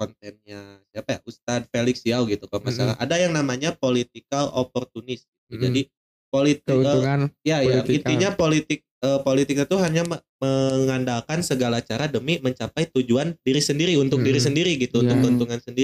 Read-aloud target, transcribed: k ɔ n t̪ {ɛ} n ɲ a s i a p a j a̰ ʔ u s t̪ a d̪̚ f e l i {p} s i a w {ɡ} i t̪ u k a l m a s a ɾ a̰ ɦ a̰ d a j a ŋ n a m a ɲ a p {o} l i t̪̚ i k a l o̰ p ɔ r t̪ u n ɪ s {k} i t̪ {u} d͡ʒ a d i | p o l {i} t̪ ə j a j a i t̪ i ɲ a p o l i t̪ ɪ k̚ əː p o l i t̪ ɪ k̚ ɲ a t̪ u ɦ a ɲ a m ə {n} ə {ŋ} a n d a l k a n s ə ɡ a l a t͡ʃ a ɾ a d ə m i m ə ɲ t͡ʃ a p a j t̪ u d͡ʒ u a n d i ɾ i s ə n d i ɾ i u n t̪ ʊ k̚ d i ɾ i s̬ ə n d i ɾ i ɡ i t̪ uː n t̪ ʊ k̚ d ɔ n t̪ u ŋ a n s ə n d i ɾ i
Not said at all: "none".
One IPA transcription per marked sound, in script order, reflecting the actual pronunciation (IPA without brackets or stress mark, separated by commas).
ɛ, k, ɡ, o, ɡ, u, i, m, ŋ